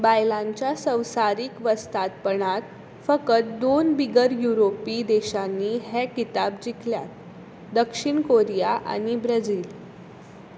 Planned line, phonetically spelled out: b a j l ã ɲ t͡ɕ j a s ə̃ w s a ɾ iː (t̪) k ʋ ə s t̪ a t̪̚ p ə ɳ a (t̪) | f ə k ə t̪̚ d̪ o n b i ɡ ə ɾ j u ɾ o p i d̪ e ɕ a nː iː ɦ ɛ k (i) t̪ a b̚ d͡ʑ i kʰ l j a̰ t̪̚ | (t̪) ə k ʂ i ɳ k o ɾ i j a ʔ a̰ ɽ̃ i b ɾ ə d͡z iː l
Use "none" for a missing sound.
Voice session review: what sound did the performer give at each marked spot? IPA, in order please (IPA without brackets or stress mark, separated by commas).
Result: none, t̪, i, d̪